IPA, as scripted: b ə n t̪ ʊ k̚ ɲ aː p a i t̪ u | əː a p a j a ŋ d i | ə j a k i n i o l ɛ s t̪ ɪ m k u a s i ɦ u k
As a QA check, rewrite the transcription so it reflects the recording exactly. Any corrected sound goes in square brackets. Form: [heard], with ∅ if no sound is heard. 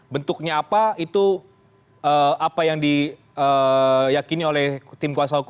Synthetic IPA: b ə n t̪ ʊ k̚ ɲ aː p a i t̪ u | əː a p a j a ŋ d i | ə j a k i n i o l ɛ [h] t̪ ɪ m k u a s [a] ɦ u k